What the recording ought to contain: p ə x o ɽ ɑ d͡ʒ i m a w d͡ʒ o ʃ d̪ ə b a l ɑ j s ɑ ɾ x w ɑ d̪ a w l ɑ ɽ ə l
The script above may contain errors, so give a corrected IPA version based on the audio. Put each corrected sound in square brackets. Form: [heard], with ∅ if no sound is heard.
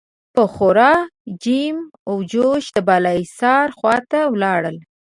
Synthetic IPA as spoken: p ə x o [ɾ] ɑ d͡ʒ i m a w d͡ʒ o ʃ d̪ ə b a l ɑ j s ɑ ɾ x w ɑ [t̪] a w l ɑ ɽ ə l